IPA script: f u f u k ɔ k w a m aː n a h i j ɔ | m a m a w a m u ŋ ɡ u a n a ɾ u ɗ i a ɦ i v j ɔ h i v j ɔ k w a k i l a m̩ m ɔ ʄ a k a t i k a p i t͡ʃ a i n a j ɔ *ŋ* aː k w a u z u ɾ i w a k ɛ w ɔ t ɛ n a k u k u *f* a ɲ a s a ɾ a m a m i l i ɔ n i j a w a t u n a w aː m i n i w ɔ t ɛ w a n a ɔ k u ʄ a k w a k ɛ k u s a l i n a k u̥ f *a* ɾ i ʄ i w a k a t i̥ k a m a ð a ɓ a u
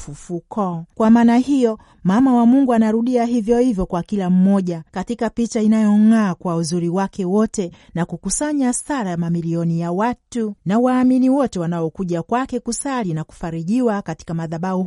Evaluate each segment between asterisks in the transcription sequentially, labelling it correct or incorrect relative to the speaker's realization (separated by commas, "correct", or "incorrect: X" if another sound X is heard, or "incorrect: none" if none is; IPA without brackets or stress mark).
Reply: correct, incorrect: s, correct